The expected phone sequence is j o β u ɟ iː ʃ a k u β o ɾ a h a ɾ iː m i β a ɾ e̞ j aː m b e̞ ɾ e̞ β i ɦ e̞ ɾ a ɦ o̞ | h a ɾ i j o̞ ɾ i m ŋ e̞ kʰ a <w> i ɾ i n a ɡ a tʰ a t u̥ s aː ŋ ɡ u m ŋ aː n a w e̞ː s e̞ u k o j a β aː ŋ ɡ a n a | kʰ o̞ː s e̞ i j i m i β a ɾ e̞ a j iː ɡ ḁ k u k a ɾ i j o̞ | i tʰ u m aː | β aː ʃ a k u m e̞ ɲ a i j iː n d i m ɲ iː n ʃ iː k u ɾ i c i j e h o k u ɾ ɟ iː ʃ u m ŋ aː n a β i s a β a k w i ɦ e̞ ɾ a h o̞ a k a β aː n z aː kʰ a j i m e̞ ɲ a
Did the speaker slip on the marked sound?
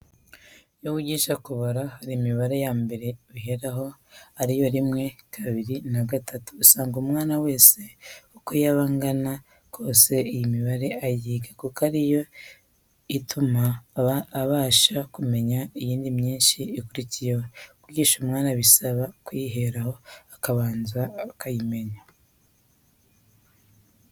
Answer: yes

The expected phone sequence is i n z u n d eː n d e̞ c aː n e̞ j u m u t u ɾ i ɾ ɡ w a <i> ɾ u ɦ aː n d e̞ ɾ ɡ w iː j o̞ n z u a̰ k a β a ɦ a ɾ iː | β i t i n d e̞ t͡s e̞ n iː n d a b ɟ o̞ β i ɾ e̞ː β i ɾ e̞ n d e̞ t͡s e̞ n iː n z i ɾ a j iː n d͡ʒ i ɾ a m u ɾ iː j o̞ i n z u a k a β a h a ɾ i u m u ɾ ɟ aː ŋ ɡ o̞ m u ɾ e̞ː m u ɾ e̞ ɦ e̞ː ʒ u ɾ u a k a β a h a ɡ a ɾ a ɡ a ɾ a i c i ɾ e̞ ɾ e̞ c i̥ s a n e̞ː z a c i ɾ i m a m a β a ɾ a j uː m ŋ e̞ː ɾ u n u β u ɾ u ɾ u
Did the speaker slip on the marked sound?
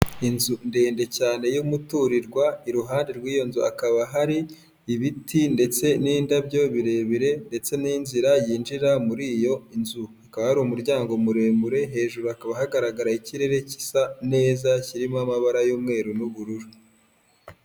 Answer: no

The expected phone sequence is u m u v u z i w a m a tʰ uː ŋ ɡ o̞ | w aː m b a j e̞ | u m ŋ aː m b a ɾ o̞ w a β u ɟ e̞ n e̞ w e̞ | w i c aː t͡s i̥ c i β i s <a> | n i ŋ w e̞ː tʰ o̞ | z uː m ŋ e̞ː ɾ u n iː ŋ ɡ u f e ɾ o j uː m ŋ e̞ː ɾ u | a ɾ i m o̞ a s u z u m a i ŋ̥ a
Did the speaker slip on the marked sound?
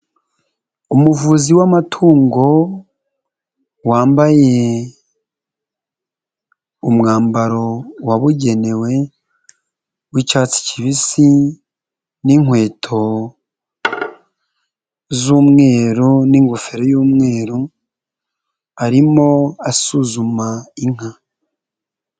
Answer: yes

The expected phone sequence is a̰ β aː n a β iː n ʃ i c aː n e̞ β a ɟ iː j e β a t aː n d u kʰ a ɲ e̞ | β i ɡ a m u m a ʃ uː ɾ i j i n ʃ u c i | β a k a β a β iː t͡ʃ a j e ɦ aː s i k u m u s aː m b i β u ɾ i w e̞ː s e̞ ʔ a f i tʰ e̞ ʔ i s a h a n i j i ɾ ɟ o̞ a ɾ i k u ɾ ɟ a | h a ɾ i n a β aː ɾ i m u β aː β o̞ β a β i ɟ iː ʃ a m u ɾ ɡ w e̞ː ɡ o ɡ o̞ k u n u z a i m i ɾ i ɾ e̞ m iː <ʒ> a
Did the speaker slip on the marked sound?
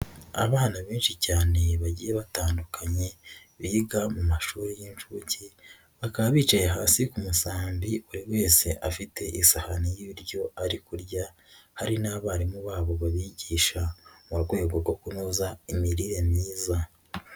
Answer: yes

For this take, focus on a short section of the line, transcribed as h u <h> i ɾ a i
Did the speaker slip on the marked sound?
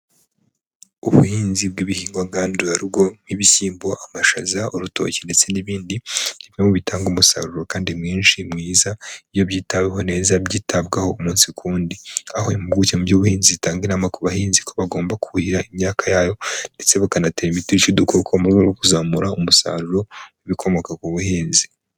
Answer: no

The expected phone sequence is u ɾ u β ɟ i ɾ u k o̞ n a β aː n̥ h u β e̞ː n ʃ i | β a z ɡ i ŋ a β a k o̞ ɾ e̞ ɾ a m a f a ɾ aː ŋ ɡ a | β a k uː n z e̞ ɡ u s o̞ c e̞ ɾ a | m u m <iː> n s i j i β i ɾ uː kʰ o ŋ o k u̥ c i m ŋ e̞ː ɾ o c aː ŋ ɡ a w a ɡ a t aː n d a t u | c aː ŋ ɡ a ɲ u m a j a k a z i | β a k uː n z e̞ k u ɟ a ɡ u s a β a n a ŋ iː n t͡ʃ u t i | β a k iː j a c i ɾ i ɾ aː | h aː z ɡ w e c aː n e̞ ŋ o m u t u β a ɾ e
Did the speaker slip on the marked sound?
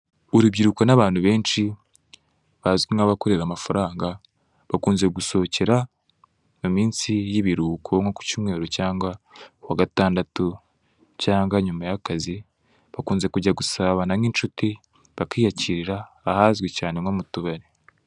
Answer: no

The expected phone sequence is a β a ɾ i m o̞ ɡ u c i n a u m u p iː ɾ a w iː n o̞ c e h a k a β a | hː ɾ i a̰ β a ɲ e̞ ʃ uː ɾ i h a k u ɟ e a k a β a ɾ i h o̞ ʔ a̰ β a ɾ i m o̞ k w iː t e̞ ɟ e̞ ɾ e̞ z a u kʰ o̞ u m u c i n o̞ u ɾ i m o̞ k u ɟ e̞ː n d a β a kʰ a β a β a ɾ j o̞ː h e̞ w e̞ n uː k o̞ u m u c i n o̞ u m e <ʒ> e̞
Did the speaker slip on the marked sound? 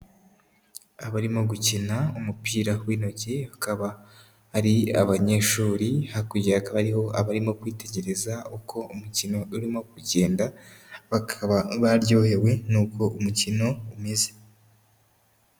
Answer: yes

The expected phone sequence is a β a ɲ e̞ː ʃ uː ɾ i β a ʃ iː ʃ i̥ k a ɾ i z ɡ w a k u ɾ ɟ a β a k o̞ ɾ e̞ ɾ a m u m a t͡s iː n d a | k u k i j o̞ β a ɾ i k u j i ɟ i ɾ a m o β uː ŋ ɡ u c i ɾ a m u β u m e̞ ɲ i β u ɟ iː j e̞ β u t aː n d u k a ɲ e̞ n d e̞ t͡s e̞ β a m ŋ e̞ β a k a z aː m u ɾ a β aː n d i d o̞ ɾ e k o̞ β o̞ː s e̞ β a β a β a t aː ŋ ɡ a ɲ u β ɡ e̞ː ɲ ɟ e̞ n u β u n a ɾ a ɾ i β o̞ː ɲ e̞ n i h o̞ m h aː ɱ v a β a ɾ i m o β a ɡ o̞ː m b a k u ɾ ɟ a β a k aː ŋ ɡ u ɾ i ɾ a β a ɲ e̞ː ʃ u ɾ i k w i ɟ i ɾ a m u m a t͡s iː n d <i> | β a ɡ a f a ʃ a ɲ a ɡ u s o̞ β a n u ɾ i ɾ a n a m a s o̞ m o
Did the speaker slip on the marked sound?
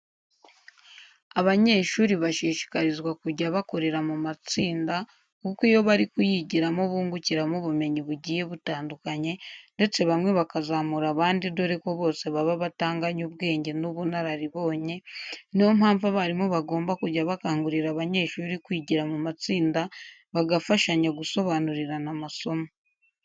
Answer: yes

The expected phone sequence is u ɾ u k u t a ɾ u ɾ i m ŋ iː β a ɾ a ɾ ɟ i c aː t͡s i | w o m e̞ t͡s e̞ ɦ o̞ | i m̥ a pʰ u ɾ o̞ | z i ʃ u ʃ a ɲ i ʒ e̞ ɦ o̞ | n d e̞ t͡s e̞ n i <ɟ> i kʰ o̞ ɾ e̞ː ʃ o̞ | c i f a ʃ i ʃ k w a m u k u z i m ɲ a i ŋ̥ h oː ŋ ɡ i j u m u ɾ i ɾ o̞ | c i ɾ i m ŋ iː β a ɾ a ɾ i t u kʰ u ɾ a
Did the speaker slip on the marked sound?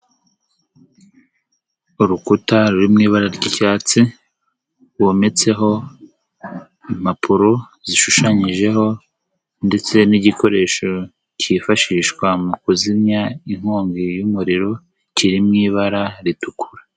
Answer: no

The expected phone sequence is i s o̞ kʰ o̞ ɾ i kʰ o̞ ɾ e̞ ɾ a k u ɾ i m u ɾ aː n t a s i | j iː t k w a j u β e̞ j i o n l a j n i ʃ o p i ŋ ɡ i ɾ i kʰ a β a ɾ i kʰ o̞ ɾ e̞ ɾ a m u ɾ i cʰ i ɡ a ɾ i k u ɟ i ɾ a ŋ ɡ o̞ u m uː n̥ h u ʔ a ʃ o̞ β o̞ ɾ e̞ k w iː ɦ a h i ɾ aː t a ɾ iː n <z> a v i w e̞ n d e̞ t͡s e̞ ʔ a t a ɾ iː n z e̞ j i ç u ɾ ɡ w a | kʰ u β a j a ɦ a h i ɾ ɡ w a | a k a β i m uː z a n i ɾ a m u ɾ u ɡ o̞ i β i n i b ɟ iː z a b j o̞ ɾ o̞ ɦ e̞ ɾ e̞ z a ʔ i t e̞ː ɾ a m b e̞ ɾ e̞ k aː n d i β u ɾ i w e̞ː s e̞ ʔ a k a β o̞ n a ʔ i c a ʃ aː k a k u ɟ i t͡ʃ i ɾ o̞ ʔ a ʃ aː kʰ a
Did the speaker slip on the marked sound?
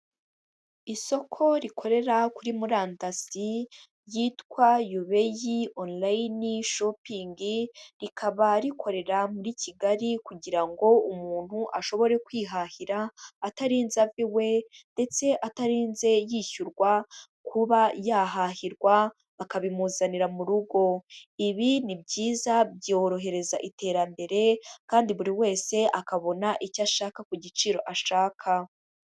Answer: no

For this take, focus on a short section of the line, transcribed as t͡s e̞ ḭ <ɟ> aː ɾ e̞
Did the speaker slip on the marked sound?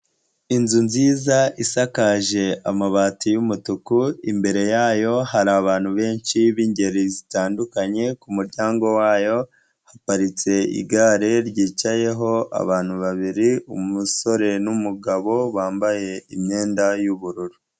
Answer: yes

